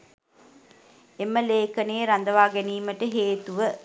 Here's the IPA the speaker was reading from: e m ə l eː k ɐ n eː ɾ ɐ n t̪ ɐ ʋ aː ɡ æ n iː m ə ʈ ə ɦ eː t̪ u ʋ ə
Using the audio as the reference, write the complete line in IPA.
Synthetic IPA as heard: e m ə l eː k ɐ n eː ɾ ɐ n d̪ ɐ ʋ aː ɡ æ n iː m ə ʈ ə ɦ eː t̪ u ʋ ə